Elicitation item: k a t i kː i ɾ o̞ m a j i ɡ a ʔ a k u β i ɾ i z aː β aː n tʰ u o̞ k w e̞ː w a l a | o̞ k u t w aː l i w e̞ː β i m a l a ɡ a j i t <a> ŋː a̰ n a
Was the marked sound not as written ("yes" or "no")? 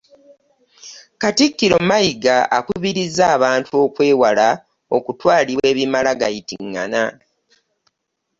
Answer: yes